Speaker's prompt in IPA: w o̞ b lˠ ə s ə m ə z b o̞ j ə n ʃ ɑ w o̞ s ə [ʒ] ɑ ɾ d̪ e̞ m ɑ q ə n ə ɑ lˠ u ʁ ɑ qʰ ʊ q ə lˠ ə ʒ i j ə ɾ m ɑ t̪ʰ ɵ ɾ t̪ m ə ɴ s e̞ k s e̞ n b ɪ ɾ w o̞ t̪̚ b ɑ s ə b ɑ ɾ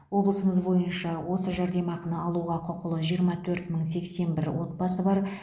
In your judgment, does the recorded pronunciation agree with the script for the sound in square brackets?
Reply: yes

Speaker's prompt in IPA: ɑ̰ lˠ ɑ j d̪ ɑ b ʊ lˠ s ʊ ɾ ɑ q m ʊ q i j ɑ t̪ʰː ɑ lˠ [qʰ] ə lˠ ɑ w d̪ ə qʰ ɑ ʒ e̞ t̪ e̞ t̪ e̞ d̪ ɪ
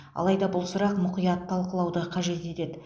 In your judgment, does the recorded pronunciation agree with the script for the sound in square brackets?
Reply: no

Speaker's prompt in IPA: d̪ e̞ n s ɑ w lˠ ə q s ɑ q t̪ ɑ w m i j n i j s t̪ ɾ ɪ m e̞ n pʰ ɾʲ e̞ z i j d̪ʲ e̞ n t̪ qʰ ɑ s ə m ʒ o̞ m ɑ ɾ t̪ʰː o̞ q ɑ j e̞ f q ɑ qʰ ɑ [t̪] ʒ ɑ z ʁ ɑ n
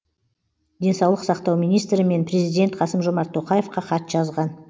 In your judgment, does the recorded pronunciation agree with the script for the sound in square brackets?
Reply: yes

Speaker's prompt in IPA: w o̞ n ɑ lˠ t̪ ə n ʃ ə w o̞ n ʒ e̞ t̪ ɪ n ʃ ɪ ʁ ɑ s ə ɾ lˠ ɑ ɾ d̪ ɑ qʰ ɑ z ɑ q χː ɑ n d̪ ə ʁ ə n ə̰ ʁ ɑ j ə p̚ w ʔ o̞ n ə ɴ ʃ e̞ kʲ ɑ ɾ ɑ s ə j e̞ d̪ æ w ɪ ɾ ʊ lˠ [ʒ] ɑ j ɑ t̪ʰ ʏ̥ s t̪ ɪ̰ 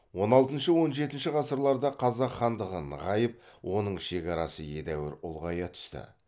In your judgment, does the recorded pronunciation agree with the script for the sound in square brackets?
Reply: no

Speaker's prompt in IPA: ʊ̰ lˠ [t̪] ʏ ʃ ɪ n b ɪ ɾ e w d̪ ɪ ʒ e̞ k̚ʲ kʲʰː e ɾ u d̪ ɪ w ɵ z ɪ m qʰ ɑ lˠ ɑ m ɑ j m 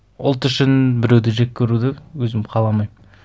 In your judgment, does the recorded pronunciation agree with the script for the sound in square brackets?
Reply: yes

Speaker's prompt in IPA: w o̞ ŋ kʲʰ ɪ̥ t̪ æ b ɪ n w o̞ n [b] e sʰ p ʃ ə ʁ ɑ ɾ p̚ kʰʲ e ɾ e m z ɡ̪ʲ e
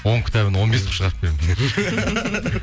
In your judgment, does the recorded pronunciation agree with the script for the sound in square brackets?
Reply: yes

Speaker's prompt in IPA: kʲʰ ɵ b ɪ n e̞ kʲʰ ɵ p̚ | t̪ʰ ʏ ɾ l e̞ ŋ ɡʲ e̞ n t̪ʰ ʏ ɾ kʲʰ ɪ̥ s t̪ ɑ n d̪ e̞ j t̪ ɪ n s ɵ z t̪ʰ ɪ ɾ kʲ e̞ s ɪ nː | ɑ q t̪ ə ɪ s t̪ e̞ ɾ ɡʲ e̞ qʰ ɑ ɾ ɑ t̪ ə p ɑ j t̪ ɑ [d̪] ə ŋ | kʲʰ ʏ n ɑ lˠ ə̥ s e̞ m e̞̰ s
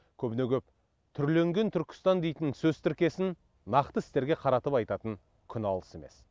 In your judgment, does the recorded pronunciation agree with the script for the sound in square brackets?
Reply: no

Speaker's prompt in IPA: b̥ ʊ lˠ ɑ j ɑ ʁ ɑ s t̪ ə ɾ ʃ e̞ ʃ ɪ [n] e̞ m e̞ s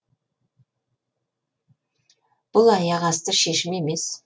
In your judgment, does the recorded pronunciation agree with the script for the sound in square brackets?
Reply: no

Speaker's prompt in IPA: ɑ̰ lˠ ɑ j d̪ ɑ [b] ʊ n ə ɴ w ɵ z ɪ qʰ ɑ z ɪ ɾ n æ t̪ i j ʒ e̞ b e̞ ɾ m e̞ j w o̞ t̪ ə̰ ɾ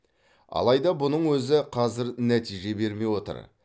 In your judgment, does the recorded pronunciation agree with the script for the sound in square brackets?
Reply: yes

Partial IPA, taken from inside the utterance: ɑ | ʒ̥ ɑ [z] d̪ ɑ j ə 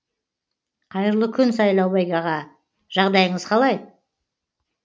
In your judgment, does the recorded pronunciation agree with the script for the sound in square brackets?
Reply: no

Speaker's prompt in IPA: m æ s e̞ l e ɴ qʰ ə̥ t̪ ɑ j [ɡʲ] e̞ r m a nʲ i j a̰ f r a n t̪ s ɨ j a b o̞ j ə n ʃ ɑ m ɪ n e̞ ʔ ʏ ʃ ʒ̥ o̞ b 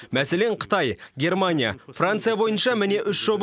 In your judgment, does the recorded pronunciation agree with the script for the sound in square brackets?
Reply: yes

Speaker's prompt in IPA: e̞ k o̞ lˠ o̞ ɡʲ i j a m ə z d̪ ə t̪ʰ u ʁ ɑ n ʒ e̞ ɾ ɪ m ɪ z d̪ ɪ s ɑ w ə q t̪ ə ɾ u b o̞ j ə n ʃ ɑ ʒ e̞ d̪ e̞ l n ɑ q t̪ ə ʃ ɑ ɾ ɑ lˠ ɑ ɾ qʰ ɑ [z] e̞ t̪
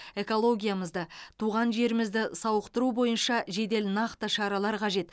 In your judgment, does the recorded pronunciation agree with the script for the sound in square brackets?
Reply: no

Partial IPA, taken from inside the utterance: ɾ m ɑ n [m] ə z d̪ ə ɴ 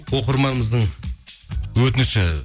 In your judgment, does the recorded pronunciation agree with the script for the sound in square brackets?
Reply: yes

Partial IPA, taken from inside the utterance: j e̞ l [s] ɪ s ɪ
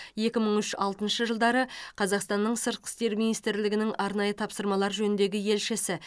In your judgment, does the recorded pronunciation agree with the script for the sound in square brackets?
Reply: no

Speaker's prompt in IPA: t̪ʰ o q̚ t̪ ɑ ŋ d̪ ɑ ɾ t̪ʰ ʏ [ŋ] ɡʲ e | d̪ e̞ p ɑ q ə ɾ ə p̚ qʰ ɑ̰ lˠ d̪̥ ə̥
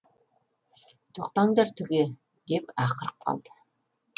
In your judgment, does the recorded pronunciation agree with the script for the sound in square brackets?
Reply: no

